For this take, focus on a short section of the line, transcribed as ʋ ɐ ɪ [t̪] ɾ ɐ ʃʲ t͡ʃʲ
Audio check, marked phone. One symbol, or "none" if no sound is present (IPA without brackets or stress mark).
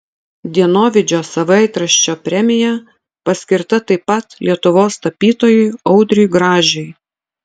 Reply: t̪